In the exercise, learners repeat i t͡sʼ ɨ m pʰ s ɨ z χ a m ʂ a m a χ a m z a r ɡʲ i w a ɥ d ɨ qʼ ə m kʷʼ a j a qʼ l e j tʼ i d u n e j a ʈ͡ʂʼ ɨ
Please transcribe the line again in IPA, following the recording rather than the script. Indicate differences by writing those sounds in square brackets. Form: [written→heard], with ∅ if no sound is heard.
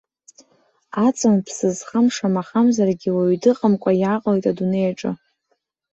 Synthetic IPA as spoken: [i→a] t͡sʼ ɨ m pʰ s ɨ z χ a m ʂ a m a χ a m z a r ɡʲ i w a ɥ d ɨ qʼ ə m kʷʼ a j a qʼ l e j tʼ [i→a] d u n e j a ʈ͡ʂʼ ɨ